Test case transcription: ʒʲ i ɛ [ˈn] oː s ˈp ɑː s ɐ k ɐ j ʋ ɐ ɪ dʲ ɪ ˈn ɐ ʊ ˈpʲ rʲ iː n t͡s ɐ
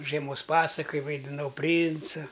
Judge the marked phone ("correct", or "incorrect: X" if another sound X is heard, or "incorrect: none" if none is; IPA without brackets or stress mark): incorrect: m